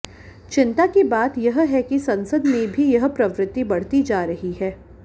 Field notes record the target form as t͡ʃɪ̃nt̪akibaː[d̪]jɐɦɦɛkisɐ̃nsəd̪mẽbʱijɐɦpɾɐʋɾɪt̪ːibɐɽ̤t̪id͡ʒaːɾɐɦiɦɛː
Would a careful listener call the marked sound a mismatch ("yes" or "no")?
yes